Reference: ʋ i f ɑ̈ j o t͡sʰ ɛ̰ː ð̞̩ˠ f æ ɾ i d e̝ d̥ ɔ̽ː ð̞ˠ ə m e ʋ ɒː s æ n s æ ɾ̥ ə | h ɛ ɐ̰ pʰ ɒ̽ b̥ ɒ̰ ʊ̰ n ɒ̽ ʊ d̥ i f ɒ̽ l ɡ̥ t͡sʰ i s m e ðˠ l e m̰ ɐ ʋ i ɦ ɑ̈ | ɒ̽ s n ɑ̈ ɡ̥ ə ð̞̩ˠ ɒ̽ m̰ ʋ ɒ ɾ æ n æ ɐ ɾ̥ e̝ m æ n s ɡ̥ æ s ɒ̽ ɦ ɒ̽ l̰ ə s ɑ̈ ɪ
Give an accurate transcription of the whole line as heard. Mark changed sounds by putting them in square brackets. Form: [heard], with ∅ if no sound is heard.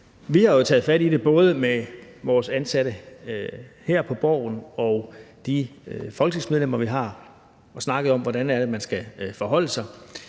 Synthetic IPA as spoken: ʋ i [h] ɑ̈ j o t͡sʰ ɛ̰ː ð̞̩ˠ f æ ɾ i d e̝ [b̥] ɔ̽ː ð̞ˠ ə m e ʋ ɒː s æ n s æ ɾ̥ ə | h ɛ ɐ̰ pʰ ɒ̽ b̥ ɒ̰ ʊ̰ n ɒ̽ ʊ d̥ i f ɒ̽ l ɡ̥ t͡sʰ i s m e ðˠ l e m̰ ɐ ʋ i ɦ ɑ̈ | ɒ̽ s n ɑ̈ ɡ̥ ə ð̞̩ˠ ɒ̽ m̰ ʋ ɒ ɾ æ n æ ɐ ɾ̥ e̝ m æ n s ɡ̥ æ [f] ɒ̽ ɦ ɒ̽ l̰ ə s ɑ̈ ɪ

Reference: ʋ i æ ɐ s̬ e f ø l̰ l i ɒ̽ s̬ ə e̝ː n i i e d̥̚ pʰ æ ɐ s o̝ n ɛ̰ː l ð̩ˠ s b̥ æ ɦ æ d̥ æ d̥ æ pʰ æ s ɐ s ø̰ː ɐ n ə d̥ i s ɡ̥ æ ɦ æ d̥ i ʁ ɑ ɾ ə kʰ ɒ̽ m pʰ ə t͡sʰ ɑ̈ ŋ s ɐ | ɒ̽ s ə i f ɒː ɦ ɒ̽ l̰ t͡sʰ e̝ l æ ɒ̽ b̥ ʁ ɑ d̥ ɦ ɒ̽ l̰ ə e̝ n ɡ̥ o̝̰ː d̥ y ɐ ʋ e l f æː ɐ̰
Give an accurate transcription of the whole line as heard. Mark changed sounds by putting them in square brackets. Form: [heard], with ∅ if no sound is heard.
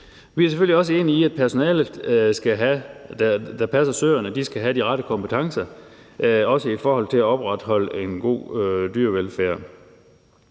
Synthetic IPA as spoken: ʋ i æ ɐ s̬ e f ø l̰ l i ɒ̽ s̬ ə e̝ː n i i [æ] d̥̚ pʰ æ ɐ s o̝ n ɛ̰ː l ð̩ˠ s [ɡ̥] æ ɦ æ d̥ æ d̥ æ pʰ æ s ɐ s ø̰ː ɐ n ə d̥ i s ɡ̥ æ ɦ æ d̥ i ʁ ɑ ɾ ə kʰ ɒ̽ m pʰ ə t͡sʰ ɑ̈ ŋ s ɐ | ɒ̽ s ə i f ɒː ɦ ɒ̽ l̰ t͡sʰ e̝ l æ ɒ̽ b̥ ʁ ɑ d̥ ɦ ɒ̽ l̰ ə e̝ n ɡ̥ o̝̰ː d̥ y ɐ ʋ e l f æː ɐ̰

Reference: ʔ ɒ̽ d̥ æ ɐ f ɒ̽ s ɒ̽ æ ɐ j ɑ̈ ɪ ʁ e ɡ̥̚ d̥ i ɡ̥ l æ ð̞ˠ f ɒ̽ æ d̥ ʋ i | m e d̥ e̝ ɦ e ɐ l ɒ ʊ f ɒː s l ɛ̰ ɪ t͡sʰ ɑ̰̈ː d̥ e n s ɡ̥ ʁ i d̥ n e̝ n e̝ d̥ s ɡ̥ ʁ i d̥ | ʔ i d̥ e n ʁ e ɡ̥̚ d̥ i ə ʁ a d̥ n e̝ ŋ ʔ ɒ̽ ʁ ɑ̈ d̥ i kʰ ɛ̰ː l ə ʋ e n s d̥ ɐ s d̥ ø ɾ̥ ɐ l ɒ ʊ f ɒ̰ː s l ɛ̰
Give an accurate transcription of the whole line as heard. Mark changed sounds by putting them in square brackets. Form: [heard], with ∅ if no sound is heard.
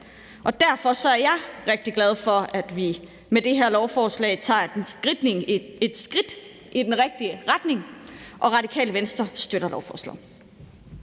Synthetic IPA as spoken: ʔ ɒ̽ d̥ æ ɐ f ɒ̽ s ɒ̽ æ ɐ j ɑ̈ ɪ ʁ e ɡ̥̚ d̥ i ɡ̥ l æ ð̞ˠ f ɒ̽ æ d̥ ʋ i | m e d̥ e̝ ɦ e ɐ l ɒ ʊ f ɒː s l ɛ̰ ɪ t͡sʰ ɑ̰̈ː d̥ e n s ɡ̥ ʁ i d̥ n e̝ [ŋ] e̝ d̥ s ɡ̥ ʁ i d̥ | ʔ i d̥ e n ʁ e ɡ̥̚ d̥ i ə ʁ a d̥ n e̝ ŋ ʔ ɒ̽ ʁ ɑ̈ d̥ i kʰ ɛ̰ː l ə ʋ e n s d̥ ɐ s d̥ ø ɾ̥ ɐ l ɒ ʊ f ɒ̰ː s l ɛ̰

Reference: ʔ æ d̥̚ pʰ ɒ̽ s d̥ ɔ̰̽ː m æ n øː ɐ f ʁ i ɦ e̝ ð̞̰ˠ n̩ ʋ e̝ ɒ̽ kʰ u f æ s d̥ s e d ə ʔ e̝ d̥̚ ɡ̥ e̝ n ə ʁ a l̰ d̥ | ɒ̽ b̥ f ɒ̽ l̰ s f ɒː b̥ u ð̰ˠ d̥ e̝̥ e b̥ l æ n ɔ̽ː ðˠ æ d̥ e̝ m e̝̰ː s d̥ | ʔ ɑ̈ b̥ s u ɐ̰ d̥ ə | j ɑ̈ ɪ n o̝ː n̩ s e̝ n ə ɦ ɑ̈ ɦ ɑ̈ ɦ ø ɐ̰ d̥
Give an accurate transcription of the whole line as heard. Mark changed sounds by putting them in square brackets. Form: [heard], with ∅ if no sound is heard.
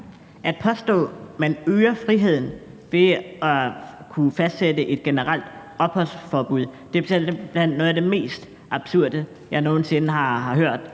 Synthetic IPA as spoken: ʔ æ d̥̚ pʰ ɒ̽ s d̥ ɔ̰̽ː m æ n øː ɐ f ʁ i ɦ e̝ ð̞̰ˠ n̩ ʋ e̝ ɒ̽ kʰ u f æ s d̥ s e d ə ʔ e̝ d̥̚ ɡ̥ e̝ n ə ʁ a l̰ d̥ | ɒ̽ b̥ [h] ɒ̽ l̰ s f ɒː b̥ u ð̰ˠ d̥ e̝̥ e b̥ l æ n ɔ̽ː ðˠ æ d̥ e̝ m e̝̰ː s d̥ | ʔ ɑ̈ b̥ s u ɐ̰ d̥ ə | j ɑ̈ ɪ n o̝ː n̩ s e̝ n ə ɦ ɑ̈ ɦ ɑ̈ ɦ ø ɐ̰ d̥

